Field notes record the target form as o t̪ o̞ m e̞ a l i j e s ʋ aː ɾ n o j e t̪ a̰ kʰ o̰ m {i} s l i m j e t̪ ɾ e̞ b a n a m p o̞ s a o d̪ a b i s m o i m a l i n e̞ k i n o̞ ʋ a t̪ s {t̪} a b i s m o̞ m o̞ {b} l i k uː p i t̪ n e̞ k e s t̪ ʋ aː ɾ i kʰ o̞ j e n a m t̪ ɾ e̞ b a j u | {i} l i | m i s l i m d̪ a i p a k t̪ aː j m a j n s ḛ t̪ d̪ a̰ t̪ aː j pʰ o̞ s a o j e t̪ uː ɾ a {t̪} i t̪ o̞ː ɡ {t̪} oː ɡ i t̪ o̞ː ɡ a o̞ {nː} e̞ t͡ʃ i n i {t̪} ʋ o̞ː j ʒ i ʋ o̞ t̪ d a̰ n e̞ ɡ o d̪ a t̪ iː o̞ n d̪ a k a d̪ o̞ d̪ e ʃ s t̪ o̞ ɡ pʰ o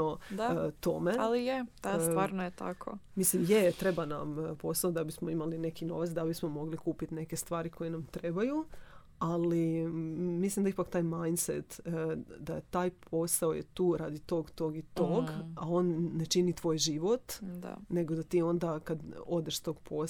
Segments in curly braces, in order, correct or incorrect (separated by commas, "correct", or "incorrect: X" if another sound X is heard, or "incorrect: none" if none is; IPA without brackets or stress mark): correct, incorrect: d̪, incorrect: ɡ, incorrect: a, incorrect: d̪, correct, correct, correct